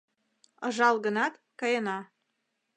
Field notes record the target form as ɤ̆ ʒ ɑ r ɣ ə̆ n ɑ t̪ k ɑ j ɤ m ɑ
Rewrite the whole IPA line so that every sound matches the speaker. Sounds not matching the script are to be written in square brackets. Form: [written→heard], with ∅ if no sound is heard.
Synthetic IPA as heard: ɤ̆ ʒ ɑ [r→l] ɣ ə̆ n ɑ t̪ k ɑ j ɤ [m→n] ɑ